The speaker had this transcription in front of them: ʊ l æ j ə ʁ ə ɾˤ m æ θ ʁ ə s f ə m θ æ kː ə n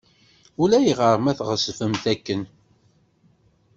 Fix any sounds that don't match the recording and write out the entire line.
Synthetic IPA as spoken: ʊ l æ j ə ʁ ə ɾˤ m æ θ ʁ ə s f ə m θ æ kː ə n